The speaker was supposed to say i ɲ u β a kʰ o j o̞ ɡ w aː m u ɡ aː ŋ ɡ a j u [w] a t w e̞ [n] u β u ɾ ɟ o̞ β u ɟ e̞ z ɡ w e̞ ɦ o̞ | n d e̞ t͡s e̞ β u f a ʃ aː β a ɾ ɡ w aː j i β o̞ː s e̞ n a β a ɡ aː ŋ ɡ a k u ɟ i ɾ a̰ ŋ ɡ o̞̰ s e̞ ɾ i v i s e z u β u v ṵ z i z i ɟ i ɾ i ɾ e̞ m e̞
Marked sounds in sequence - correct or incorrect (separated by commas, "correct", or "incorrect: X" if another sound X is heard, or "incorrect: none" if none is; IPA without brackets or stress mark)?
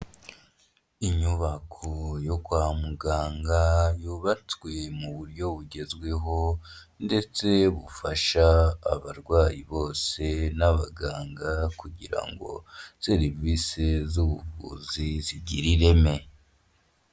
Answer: incorrect: β, incorrect: m